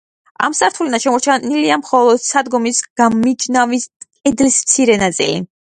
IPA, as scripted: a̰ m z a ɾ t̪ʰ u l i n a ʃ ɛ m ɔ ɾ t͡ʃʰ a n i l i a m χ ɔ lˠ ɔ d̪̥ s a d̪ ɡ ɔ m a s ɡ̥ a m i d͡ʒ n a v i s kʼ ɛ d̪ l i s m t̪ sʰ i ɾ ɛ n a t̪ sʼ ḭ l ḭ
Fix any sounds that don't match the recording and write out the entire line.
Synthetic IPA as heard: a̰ m s a ɾ t̪ʰ u l i n a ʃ ɛ m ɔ ɾ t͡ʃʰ a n i l i a m χ ɔ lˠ ɔ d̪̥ s a d̪ ɡ ɔ m i s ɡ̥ a m i d͡ʒ n a v i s kʼ ɛ d̪ l i s m t̪ sʰ i ɾ ɛ n a t̪ sʼ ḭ l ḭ